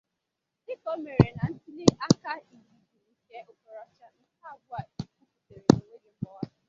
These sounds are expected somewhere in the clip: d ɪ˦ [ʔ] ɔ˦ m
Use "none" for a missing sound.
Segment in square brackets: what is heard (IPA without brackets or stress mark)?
k